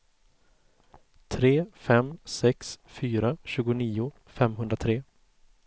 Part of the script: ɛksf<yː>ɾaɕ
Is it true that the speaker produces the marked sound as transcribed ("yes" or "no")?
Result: yes